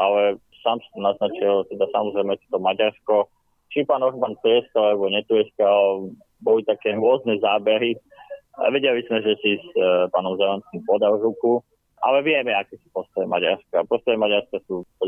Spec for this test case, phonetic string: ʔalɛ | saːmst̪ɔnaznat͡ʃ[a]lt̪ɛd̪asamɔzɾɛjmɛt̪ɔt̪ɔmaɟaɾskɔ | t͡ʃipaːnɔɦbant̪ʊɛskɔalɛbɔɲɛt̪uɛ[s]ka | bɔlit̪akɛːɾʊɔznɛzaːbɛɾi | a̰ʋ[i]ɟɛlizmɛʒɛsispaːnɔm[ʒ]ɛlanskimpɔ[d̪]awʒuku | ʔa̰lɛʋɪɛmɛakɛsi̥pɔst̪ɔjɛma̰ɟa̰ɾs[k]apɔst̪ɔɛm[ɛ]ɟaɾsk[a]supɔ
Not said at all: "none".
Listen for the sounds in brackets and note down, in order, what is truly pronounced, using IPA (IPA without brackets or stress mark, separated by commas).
i, s, ɛ, z, d̪, k, a, a